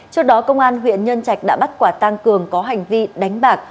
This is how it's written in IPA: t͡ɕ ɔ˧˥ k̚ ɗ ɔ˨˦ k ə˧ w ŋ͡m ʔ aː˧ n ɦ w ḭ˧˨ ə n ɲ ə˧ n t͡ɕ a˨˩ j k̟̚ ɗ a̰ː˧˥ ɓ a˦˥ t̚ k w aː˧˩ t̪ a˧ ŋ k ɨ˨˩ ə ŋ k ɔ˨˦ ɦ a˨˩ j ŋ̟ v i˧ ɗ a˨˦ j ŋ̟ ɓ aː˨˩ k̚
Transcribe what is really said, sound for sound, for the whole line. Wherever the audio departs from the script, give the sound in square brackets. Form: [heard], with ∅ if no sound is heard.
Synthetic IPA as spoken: t͡ɕ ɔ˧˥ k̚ ɗ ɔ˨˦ k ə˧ w ŋ͡m ʔ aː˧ n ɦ w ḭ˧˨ ə n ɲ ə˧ n t͡ɕ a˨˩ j k̟̚ ɗ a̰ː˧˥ ɓ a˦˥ t̚ k w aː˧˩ t̪ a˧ ŋ k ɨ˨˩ ə ŋ k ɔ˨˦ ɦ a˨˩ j ŋ̟ v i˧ ɗ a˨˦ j ŋ̟ ɓ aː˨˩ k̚